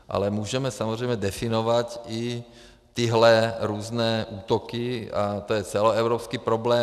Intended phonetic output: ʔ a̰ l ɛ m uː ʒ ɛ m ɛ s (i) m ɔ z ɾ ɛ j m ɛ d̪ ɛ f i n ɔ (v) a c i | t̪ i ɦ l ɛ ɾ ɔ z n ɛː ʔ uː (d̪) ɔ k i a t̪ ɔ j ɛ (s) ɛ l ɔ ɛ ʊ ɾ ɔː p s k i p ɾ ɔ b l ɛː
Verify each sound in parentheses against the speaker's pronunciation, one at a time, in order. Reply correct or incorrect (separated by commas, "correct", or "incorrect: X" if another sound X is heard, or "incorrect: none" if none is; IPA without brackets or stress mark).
incorrect: a, incorrect: ʋ, incorrect: t̪, incorrect: t͡s